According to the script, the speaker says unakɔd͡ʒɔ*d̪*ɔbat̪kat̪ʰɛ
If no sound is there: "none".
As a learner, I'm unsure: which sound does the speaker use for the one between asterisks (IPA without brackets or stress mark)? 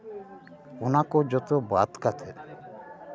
t̪